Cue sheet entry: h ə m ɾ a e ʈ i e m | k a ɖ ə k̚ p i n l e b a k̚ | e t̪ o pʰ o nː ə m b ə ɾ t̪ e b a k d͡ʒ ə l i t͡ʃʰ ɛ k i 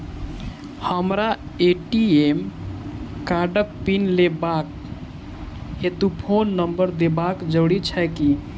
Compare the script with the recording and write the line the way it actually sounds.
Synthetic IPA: h ə m ɾ a e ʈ i e m | k a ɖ ə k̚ p i n l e b a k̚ | e t̪ u pʰ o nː ə m b ə ɾ d̪ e b a k d͡ʒ ə ɽ i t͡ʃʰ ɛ k i